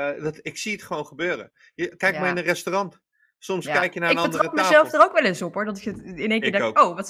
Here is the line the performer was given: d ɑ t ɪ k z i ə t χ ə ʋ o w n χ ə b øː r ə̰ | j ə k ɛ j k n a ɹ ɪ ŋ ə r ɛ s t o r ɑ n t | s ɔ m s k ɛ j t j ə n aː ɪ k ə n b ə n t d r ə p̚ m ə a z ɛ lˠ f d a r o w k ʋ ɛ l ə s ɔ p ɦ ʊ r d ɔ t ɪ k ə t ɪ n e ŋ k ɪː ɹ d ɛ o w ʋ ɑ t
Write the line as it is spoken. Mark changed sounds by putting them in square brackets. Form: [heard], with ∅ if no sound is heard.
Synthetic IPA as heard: d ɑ t ɪ k [s] i ə t χ ə ʋ o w n χ ə b øː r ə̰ | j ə k ɛ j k [m] a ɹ ɪ [n] ə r ɛ s t o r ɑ n t | s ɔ m s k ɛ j [k] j ə n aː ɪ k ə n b ə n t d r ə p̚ m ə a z ɛ lˠ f d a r o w k ʋ ɛ l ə s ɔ p ɦ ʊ [ɹ] d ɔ t ɪ k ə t ɪ n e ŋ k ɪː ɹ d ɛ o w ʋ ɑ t